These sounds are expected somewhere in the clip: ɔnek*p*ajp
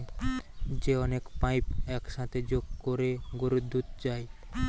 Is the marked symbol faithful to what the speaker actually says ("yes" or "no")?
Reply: yes